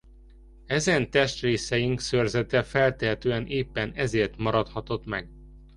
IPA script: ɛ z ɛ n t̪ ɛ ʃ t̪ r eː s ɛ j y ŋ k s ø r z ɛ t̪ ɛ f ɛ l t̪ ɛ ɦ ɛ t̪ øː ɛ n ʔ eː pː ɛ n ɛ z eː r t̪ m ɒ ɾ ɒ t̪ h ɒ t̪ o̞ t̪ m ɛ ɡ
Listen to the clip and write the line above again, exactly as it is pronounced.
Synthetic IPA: ɛ z ɛ n t̪ ɛ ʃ t̪ r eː s ɛ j i ŋ k s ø r z ɛ t̪ ɛ f ɛ l t̪ ɛ ɦ ɛ t̪ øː ɛ n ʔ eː pː ɛ n ɛ z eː r t̪ m ɒ ɾ ɒ t̪ h ɒ t̪ o̞ t̪ m ɛ ɡ